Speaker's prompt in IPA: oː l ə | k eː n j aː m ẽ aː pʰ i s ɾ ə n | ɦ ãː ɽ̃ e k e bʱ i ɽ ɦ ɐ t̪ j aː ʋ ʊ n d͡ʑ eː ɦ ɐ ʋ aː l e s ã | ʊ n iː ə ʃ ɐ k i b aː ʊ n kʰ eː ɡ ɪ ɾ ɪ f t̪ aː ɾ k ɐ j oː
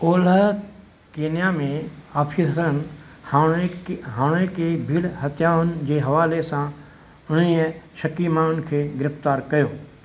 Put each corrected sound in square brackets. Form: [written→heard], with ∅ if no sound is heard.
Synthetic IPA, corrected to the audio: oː l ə | k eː n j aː m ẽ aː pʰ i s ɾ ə n | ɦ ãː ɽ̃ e k e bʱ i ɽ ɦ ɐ t̪ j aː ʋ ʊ n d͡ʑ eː ɦ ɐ ʋ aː l e s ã | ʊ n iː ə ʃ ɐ k i [b→m] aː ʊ n kʰ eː ɡ ɪ ɾ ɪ f t̪ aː ɾ k ɐ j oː